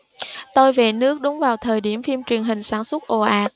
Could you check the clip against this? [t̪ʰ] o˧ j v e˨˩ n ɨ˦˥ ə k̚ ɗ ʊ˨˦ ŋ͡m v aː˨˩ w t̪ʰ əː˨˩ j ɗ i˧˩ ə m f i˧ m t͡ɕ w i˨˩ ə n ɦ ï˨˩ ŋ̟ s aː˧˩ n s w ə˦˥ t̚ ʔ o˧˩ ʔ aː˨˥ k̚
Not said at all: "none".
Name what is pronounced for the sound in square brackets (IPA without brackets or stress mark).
t̪